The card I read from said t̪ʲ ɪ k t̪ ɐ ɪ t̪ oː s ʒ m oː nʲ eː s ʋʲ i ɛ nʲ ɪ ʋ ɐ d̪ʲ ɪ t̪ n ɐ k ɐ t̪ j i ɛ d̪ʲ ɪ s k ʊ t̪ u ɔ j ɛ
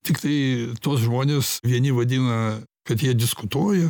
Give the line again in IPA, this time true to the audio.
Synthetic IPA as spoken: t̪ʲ ɪ k t̪ ɐ ɪ t̪ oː s ʒ m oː nʲ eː s ʋʲ i ɛ nʲ ɪ ʋ ɐ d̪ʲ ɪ n ɐ k ɐ t̪ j i ɛ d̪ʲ ɪ s k ʊ t̪ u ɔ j ɛ